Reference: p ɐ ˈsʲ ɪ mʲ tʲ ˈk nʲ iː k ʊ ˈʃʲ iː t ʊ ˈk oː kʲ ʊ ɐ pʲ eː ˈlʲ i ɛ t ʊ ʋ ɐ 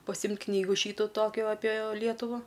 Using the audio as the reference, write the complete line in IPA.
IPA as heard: p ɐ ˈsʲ ɪ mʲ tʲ ˈk nʲ iː ɡ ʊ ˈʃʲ iː t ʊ ˈt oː kʲ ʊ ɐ pʲ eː ˈlʲ i ɛ t ʊ ʋ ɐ